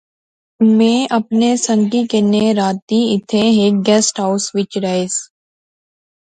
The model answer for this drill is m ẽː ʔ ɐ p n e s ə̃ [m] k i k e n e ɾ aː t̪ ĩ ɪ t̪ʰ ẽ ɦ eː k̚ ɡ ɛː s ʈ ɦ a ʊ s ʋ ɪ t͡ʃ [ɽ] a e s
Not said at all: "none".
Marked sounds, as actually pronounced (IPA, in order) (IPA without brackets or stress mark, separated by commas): ŋ, ɾ